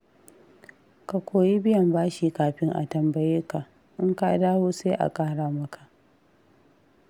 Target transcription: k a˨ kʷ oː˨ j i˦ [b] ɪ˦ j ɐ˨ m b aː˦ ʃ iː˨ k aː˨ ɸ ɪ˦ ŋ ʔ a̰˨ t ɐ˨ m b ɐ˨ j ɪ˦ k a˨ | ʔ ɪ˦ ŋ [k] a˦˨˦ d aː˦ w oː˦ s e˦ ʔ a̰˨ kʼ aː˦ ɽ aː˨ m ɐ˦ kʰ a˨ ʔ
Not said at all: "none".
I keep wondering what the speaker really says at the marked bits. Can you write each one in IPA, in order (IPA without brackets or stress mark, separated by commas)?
b, k